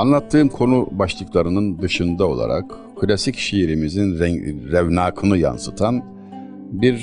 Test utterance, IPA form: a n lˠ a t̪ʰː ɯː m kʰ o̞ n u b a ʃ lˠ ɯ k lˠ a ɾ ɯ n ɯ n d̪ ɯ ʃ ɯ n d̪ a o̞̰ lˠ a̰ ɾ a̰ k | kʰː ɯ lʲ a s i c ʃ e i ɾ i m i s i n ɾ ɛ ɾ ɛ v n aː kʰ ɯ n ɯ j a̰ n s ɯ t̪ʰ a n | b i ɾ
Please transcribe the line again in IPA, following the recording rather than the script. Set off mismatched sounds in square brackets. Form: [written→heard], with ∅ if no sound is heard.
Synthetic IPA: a n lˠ a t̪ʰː ɯː m kʰ o̞ n u b a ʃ lˠ ɯ k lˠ a ɾ ɯ n ɯ n d̪ ɯ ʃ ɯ n d̪ a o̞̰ lˠ a̰ ɾ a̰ k | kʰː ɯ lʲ a s i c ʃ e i ɾ i m i [s→z] i n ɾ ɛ ɾ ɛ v n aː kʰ ɯ n ɯ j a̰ n s ɯ t̪ʰ a n | b i ɾ